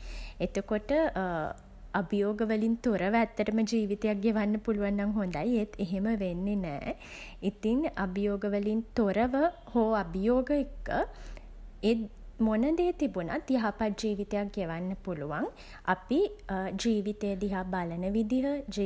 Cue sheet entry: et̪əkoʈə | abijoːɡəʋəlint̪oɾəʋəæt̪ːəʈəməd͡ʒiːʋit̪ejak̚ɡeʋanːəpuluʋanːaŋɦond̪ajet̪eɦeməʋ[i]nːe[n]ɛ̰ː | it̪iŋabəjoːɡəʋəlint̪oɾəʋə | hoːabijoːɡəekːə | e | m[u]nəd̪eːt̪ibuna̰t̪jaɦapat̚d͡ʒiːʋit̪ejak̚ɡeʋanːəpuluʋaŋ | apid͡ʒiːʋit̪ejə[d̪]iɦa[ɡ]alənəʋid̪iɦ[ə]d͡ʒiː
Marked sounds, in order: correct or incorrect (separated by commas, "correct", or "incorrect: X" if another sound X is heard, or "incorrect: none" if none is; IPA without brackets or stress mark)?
incorrect: e, correct, incorrect: o, correct, incorrect: b, correct